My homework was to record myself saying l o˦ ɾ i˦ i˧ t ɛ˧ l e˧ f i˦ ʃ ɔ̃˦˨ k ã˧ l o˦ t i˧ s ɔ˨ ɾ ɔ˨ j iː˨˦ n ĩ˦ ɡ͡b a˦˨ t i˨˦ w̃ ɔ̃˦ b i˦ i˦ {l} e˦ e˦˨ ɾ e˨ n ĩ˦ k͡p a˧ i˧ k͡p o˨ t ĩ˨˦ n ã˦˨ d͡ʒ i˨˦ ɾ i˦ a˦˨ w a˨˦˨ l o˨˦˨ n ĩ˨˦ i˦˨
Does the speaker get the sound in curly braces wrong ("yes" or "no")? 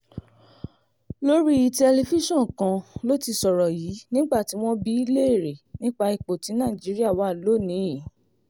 no